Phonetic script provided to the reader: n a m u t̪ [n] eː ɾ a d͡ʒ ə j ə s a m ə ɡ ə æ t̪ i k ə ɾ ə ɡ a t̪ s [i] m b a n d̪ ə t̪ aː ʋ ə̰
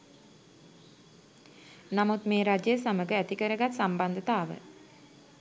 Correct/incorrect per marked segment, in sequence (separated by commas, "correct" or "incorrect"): incorrect, incorrect